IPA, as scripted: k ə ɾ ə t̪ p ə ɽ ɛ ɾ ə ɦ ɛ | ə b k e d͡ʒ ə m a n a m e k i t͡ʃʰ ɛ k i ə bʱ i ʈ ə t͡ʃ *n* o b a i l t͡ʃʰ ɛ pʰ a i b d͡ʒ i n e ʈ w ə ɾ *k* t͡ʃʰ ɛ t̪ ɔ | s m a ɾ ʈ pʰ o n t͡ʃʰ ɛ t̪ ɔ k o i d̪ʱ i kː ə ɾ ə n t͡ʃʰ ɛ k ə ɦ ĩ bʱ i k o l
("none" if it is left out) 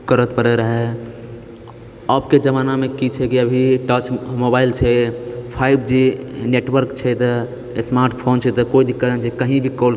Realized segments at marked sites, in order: m, k

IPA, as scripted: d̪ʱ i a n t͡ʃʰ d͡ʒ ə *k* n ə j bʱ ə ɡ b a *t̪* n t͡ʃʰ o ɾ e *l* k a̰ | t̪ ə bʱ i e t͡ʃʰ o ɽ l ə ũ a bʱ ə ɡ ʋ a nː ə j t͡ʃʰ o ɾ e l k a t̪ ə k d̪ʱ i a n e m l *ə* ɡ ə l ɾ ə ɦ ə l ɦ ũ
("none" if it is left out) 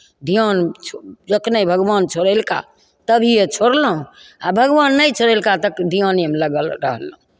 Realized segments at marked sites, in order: k, none, l, ə

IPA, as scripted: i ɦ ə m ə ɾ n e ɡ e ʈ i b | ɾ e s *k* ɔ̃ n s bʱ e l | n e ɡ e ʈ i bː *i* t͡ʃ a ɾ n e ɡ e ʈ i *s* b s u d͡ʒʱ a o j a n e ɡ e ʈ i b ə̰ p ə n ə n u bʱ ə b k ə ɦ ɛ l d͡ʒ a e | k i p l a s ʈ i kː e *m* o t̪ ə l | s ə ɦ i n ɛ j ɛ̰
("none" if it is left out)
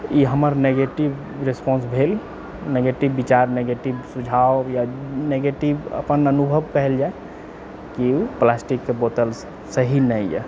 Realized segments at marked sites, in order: p, i, none, b

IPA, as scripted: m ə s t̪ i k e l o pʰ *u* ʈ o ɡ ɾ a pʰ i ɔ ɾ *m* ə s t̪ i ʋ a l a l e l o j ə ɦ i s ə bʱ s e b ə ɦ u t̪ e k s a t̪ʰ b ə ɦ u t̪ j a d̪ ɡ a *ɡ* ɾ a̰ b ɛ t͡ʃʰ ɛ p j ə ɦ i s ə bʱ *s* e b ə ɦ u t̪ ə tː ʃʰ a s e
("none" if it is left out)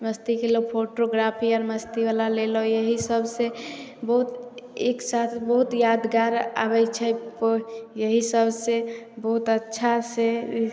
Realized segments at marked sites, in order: o, m, none, s

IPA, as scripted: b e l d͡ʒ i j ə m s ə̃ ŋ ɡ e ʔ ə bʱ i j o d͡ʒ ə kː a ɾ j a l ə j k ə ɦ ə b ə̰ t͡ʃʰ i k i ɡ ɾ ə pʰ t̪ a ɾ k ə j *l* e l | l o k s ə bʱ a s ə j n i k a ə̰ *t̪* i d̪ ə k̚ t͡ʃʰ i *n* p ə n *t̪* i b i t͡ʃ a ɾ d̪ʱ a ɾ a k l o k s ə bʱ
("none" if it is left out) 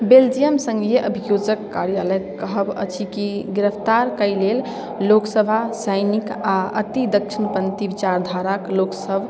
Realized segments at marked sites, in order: l, t̪, n, t̪

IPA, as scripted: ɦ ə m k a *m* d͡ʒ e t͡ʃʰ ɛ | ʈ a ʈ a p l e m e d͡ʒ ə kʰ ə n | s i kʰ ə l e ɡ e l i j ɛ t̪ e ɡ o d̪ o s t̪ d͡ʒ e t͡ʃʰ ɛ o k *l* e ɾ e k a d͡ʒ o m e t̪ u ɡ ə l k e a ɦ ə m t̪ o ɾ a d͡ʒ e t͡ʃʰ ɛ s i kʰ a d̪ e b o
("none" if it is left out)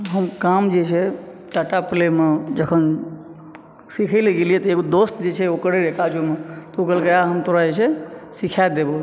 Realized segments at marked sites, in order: m, ɾ

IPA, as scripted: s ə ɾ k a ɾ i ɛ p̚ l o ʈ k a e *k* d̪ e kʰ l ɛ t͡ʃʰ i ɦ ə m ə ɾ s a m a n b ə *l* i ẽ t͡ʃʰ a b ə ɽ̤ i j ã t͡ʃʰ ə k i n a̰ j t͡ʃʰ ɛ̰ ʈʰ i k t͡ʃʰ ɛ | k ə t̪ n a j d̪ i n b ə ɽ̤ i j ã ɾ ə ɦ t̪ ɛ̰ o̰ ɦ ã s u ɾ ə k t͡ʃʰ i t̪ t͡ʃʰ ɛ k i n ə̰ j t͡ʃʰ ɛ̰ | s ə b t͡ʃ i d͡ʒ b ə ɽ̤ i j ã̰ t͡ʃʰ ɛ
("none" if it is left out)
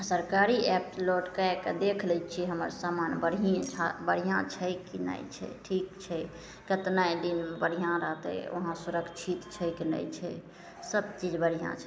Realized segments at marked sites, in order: k, ɽ

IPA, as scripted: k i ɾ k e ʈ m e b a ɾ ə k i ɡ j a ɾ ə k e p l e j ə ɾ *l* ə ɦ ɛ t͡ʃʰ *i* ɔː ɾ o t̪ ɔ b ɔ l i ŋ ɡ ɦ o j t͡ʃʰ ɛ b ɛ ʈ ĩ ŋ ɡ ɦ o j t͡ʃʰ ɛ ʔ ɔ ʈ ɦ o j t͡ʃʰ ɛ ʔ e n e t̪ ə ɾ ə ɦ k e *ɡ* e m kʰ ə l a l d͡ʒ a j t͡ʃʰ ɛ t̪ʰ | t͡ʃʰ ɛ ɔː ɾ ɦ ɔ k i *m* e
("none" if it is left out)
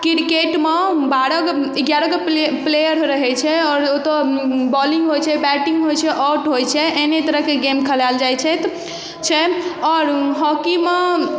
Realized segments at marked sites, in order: ɾ, ɛ, ɡ, m

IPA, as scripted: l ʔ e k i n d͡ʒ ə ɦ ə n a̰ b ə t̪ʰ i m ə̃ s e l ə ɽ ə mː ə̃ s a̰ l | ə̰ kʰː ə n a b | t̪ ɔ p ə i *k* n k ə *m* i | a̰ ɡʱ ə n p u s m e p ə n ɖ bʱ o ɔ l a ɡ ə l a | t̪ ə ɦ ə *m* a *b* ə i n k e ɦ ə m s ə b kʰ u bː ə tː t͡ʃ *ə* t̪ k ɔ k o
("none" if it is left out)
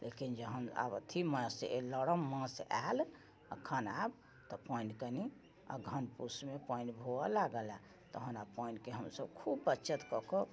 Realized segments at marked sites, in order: none, n, n, p, ə

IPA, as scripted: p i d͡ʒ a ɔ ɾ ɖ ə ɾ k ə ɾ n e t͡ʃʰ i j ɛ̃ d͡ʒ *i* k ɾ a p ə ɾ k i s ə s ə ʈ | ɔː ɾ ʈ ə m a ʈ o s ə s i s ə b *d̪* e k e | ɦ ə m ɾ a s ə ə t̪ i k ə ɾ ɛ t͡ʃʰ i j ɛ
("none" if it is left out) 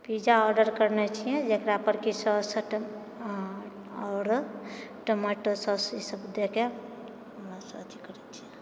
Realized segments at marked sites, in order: e, d̪

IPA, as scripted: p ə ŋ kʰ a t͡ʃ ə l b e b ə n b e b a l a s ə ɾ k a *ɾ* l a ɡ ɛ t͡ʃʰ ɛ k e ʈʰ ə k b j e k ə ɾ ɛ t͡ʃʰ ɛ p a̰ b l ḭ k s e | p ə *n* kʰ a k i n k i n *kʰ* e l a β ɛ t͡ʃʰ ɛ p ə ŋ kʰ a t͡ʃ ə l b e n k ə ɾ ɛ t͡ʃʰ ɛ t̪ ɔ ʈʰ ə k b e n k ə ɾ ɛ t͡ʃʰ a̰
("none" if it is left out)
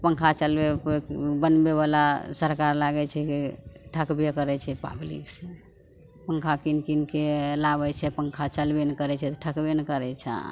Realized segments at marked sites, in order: ɾ, ŋ, k

